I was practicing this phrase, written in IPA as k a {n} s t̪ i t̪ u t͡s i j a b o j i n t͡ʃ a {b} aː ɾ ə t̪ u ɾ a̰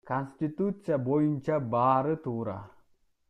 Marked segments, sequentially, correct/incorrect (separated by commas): correct, correct